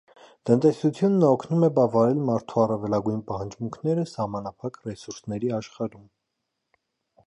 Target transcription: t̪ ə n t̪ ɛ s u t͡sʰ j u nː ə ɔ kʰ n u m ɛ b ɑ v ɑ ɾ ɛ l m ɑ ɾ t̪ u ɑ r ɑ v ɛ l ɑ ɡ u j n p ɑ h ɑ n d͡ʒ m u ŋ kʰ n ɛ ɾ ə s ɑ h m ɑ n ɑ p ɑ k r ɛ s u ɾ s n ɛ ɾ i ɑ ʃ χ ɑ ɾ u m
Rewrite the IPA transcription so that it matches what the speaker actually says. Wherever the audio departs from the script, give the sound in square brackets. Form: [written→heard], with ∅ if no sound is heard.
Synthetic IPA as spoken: t̪ ə n t̪ ɛ s u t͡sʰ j u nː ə ɔ kʰ n u m ɛ b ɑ v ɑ ɾ ɛ l m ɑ ɾ [t̪→t̪ʰ] u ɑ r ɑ v ɛ l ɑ ɡ u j n p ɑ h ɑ n d͡ʒ m u ŋ kʰ n ɛ ɾ ə s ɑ h m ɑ n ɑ [p→pʰ] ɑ k r ɛ s u ɾ s n ɛ ɾ i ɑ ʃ χ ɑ ɾ u m

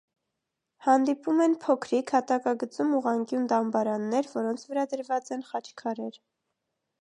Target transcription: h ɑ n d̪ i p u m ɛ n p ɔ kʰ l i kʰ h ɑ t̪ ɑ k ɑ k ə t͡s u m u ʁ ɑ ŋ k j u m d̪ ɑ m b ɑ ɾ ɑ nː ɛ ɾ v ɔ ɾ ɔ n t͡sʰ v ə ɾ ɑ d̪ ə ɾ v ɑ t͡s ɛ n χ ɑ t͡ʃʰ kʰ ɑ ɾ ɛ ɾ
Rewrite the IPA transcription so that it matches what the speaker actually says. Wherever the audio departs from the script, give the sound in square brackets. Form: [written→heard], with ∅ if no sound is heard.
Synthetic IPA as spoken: h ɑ n d̪ i p u m ɛ n [p→pʰ] ɔ kʰ [l→ɾ] i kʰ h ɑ t̪ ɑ k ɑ [k→ɡ] ə t͡s u m u ʁ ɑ ŋ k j u [m→n] d̪ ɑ m b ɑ ɾ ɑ nː ɛ ɾ v ɔ ɾ ɔ n t͡sʰ v ə ɾ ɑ d̪ ə ɾ v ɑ t͡s ɛ n χ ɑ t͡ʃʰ kʰ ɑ ɾ ɛ ɾ

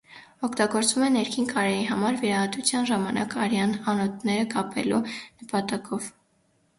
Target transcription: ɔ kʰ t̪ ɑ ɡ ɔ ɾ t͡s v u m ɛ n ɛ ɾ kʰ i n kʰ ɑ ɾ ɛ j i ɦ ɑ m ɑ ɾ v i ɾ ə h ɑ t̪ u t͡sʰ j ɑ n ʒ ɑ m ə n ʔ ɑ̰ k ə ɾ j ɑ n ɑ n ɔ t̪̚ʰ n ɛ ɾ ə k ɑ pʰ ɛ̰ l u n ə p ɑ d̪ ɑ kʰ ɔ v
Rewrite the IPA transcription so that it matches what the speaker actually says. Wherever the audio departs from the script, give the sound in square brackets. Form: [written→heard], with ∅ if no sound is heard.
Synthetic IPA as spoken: ɔ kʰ t̪ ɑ ɡ ɔ ɾ t͡s v u m ɛ n ɛ ɾ kʰ i n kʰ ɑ ɾ ɛ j i ɦ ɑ m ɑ ɾ v i ɾ [ə→ɑ] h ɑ t̪ u t͡sʰ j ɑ n ʒ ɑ m [ə→ɑ] n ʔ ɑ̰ k [ə→ɑ] ɾ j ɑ n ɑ n ɔ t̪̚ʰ n ɛ ɾ ə k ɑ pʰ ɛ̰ l u n ə p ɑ [d̪→t̪] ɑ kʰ ɔ v

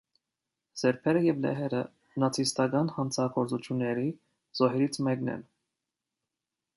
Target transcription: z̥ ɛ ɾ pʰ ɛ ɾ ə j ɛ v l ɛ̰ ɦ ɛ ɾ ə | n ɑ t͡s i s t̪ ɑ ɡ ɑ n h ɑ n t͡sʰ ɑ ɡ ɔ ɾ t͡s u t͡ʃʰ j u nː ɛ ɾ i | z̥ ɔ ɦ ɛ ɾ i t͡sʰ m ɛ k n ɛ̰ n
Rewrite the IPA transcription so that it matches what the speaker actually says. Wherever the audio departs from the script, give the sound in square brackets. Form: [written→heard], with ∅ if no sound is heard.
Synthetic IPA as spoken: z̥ ɛ ɾ pʰ ɛ ɾ ə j ɛ v l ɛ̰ ɦ ɛ ɾ ə | n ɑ [t͡s→t͡sʰ] i s t̪ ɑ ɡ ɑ n h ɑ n t͡sʰ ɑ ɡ ɔ ɾ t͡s u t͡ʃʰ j u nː ɛ ɾ i | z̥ ɔ ɦ ɛ ɾ i t͡sʰ m ɛ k n ɛ̰ n

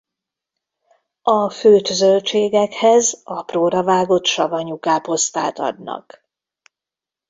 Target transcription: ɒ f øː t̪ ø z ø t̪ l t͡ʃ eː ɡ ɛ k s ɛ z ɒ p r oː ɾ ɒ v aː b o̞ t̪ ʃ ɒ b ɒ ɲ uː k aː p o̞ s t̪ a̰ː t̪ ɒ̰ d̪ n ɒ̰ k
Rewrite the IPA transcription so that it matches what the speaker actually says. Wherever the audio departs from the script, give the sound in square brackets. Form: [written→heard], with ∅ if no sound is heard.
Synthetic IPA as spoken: ɒ f øː t̪ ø z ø [t̪→∅] l t͡ʃ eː ɡ ɛ k [s→h] ɛ z ɒ p r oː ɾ ɒ v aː [b→ɡ] o̞ t̪ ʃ ɒ [b→v] ɒ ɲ [uː→u] k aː p o̞ s t̪ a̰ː t̪ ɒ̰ d̪ n ɒ̰ k

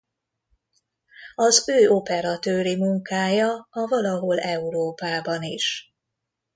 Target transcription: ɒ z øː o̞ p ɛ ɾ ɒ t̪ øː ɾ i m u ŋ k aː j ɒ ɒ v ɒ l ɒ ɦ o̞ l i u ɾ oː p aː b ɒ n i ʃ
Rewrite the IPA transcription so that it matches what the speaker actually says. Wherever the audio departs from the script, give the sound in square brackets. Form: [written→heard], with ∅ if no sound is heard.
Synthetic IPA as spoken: ɒ z øː o̞ p ɛ ɾ ɒ t̪ øː ɾ i m u ŋ k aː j ɒ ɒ v ɒ l ɒ ɦ o̞ l [i→ɛ] u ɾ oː p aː b ɒ n i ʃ

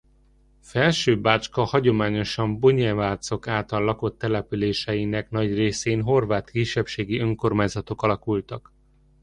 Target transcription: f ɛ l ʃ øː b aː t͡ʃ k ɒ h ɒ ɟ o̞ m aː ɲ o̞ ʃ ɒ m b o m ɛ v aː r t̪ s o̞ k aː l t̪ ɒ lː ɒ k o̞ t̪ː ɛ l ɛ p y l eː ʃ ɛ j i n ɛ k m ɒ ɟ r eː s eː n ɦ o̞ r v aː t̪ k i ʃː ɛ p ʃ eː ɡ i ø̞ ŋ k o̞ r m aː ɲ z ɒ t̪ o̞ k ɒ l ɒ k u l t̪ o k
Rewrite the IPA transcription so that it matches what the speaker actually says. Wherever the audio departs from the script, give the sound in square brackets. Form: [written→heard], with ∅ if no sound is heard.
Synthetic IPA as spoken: f ɛ l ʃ øː b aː t͡ʃ k ɒ h ɒ ɟ o̞ m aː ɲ o̞ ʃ ɒ m b o [m→ɲ] ɛ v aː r t̪ s o̞ k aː l t̪ ɒ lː ɒ k o̞ t̪ː ɛ l ɛ p y l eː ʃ ɛ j i n ɛ k [m→n] ɒ ɟ r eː s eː n ɦ o̞ r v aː t̪ k i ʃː ɛ p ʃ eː ɡ i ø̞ ŋ k o̞ r m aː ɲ z ɒ t̪ o̞ k ɒ l ɒ k u l t̪ [o→ɒ] k

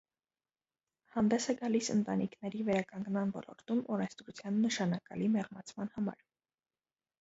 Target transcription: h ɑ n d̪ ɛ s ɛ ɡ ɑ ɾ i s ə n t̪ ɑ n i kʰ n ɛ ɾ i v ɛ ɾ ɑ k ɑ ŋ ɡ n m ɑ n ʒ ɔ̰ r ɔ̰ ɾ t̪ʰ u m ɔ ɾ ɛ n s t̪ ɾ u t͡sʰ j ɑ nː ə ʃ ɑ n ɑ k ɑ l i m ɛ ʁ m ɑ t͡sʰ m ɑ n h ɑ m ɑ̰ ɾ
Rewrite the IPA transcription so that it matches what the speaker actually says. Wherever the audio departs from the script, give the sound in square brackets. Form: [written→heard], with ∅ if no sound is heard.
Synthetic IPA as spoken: h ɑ n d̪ ɛ s ɛ ɡ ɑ [ɾ→l] i s ə n t̪ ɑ n i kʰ n ɛ ɾ i v ɛ ɾ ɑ k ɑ ŋ ɡ n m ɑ n [ʒ→v] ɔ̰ [r→l] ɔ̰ ɾ [t̪ʰ→t̪] u m ɔ ɾ ɛ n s t̪ ɾ u t͡sʰ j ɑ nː ə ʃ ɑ n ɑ k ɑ l i m ɛ ʁ m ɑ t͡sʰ m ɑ n h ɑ m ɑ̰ ɾ

